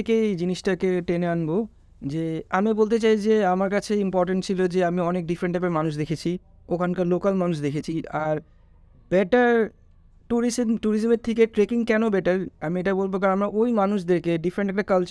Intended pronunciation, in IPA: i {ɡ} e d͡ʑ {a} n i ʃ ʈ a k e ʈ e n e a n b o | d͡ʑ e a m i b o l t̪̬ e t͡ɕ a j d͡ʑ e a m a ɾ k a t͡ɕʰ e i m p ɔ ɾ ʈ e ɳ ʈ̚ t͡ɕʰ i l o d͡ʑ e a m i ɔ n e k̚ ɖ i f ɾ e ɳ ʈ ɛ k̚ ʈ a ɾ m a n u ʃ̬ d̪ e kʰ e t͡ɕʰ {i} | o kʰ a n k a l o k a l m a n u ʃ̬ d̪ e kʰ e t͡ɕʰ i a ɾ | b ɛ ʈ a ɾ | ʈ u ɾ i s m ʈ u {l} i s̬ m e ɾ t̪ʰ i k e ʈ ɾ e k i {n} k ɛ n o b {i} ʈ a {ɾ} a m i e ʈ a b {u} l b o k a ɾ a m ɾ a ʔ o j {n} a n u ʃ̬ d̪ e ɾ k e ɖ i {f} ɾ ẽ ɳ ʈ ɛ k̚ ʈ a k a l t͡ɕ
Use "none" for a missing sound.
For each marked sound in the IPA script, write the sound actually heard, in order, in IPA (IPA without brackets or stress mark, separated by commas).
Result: k, i, i, ɾ, ŋ, ɛ, ɾ, o, m, f